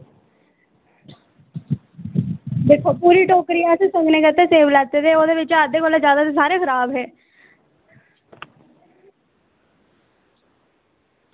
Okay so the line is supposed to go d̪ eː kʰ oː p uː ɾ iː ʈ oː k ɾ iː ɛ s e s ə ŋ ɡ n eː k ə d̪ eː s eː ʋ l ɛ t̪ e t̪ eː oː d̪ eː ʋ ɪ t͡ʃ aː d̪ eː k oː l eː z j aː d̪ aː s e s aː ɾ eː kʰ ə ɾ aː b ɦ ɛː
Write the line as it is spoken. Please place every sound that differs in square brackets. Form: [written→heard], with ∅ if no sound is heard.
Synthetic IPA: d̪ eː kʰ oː p uː ɾ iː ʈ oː k ɾ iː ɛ s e s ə ŋ ɡ n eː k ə [d̪→t̪] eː s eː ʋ l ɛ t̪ e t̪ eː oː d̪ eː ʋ ɪ t͡ʃ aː d̪ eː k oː l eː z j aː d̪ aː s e s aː ɾ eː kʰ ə ɾ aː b ɦ ɛː